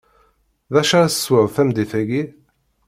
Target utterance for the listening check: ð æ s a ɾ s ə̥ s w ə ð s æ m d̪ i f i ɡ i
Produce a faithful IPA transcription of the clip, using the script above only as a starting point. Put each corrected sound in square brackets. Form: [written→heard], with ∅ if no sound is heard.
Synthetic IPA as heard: ð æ [s→ʃ] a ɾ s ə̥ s w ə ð [s→f] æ m d̪ i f [i→æ] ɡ i